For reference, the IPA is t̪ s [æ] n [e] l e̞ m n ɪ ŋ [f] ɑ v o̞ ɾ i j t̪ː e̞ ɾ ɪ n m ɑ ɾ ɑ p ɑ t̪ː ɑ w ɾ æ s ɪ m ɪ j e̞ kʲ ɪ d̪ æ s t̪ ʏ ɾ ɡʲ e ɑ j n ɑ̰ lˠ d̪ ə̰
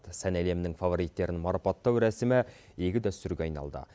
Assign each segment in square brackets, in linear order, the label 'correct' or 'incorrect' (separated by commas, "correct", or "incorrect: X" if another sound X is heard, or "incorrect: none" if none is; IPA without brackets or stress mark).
correct, incorrect: æ, correct